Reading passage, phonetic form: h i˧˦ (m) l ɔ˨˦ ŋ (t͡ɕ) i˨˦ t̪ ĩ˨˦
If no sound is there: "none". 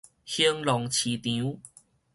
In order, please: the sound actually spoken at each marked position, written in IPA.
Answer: ŋ, t͡ɕʰ

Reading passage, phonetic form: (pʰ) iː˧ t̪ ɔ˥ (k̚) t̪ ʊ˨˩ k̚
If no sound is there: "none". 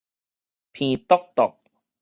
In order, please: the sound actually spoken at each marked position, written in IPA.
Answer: pʰ, k̚

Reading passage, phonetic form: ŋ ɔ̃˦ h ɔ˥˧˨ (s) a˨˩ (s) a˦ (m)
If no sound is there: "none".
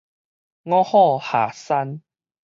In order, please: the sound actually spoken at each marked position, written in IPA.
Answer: h, s, n

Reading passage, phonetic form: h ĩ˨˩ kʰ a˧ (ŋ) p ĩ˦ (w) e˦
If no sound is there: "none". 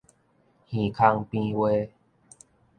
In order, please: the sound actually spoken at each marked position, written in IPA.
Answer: ŋ, w

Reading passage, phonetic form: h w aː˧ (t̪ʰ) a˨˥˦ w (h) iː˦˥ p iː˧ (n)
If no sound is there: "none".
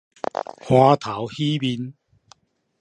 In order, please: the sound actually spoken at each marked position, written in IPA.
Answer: t̪ʰ, h, n

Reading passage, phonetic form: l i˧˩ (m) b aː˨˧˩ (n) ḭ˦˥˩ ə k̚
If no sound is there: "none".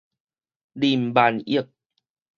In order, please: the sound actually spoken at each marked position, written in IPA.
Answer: m, n

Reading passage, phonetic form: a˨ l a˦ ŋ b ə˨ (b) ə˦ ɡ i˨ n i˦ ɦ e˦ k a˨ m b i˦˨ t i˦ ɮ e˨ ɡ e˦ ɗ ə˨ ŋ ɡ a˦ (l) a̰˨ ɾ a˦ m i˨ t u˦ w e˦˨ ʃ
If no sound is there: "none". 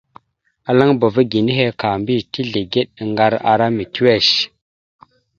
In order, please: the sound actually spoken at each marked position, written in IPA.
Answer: v, ɾ

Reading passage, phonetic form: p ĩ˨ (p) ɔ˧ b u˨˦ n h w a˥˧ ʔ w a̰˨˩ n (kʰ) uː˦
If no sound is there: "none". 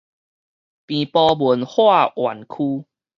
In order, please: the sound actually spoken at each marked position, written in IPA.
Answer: p, kʰ

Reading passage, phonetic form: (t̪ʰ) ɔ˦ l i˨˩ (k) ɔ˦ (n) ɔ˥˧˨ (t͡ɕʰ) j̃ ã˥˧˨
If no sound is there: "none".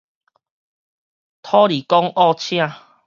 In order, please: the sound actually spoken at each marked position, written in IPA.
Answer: t̪ʰ, k, ŋ, t͡ɕʰ

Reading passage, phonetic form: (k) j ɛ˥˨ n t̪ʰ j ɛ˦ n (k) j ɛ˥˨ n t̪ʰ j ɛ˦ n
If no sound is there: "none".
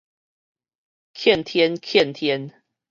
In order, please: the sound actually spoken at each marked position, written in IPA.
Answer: kʰ, kʰ

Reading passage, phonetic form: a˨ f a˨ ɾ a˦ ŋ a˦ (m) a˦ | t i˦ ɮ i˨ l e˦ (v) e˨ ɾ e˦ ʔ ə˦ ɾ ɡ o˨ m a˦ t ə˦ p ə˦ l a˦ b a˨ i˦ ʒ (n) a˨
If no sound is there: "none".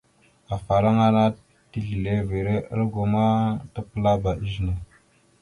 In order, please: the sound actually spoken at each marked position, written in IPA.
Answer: n, v, n

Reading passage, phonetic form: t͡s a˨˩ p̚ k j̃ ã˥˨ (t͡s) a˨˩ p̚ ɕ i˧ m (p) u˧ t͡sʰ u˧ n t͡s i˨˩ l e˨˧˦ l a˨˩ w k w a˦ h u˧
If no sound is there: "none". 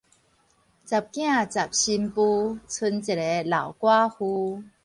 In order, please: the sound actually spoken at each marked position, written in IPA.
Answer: t͡s, p

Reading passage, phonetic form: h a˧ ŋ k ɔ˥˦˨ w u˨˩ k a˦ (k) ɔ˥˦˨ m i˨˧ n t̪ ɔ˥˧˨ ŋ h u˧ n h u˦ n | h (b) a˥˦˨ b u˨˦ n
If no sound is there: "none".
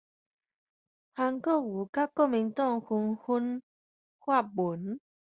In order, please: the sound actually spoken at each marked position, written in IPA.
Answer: k, w

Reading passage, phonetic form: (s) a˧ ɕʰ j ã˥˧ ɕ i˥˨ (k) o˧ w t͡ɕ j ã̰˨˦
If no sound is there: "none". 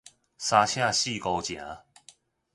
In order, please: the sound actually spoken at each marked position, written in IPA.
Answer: s, k

